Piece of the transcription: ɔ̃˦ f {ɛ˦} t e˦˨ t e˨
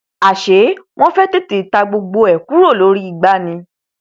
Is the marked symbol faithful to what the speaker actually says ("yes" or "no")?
yes